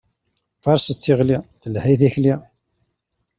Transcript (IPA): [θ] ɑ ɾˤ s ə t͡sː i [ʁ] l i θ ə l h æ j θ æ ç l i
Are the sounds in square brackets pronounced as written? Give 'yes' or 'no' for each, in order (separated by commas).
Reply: no, yes